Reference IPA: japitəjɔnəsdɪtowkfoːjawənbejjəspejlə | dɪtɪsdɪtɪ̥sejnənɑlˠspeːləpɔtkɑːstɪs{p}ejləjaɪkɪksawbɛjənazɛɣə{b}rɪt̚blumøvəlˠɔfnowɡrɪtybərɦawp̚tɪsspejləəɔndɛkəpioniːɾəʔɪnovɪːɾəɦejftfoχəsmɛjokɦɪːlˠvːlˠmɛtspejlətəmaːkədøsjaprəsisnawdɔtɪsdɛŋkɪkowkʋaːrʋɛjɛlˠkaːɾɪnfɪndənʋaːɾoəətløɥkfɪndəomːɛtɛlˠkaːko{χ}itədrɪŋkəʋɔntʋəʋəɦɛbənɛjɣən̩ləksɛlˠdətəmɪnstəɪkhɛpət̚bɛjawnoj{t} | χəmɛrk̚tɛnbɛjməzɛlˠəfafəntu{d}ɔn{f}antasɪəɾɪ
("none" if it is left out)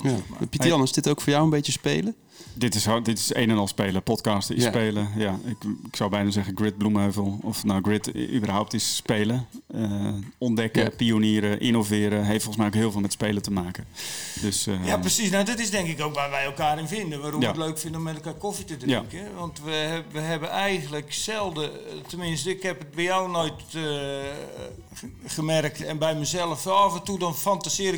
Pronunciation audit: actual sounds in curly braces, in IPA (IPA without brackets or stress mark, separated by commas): p, ɡ, f, t, d, f